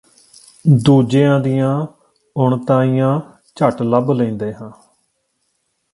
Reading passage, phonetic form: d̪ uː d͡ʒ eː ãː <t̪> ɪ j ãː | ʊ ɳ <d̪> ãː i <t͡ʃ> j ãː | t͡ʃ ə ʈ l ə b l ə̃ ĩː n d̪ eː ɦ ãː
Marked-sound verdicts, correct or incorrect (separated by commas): incorrect, incorrect, incorrect